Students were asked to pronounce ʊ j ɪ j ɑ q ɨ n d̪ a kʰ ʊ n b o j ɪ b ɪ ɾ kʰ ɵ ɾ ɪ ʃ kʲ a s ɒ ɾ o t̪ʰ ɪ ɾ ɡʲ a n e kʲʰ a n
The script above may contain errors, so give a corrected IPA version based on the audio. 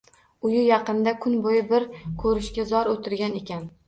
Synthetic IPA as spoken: ʊ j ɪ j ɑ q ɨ n d̪ a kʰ ʊ n b o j ɪ b ɪ ɾ kʰ ɵ ɾ ɪ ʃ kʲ a z ɒ ɾ o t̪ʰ ɪ ɾ ɡʲ a n e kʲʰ a n